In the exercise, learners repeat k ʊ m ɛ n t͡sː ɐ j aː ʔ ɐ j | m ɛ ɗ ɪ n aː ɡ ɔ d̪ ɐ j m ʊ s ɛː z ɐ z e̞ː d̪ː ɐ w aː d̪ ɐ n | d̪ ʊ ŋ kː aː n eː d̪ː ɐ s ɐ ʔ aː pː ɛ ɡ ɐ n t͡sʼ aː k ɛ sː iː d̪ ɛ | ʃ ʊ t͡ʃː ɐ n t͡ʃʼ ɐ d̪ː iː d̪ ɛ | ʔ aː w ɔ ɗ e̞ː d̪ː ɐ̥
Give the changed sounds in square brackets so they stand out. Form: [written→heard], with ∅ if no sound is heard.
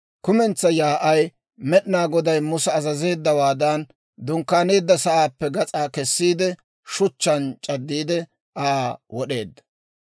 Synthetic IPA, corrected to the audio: k ʊ m ɛ n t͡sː ɐ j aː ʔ ɐ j | m ɛ ɗ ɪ n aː ɡ ɔ d̪ ɐ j m ʊ s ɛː z ɐ z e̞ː d̪ː ɐ w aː d̪ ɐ n | d̪ ʊ ŋ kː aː n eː d̪ː ɐ s ɐ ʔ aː pː ɛ ɡ ɐ [n→∅] t͡sʼ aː k ɛ sː iː d̪ ɛ | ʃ ʊ t͡ʃː ɐ n t͡ʃʼ ɐ d̪ː iː d̪ ɛ | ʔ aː w ɔ ɗ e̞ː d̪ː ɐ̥